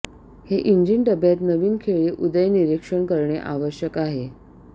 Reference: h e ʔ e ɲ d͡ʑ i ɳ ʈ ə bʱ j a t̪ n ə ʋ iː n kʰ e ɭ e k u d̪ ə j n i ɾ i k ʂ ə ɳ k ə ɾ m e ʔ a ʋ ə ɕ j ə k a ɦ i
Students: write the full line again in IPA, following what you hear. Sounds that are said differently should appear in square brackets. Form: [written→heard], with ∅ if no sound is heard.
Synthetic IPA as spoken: h e ʔ [e→i] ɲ d͡ʑ i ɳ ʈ ə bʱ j a t̪ n ə ʋ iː n kʰ e ɭ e [k→ʔ] u d̪ ə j n i ɾ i k ʂ ə ɳ k ə ɾ [m→ɳ] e ʔ a ʋ ə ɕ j ə k a ɦ [i→e]

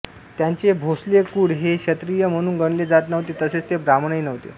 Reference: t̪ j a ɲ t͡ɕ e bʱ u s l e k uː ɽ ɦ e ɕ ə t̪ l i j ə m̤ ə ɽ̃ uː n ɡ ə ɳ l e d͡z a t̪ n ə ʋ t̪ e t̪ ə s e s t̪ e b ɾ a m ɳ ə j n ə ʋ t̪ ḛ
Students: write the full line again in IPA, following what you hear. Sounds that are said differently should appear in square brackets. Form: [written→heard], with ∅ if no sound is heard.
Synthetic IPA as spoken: t̪ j a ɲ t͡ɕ e bʱ [u→o] s l e k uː ɽ ɦ e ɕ ə t̪ [l→ɾ] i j ə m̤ ə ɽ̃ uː n ɡ ə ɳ l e d͡z a t̪ n ə ʋ t̪ e t̪ ə s e [s→t͡s] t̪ e b ɾ a m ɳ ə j n ə ʋ t̪ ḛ

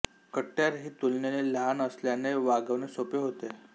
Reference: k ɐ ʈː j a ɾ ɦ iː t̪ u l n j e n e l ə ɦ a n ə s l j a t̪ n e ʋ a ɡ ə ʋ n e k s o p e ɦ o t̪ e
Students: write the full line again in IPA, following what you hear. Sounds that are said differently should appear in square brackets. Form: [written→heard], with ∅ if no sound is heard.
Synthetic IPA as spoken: k [ɐ→ə] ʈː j a ɾ ɦ iː t̪ u l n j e n e l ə ɦ a n ə s l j a [t̪→∅] n e ʋ a ɡ ə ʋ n e [k→∅] s o p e ɦ o t̪ e

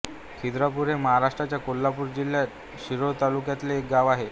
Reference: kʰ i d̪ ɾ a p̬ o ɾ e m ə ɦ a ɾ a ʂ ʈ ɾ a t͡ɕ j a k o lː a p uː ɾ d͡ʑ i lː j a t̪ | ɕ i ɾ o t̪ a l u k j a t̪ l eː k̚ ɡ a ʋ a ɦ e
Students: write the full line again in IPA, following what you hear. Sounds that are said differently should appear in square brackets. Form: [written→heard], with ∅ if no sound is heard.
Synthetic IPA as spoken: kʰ i d̪ ɾ a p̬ [o→u] ɾ e m ə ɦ a ɾ a ʂ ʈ ɾ a t͡ɕ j a k o lː a p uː ɾ d͡ʑ i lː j a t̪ | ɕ i ɾ o t̪ a l u k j a t̪ l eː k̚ ɡ a ʋ a ɦ e

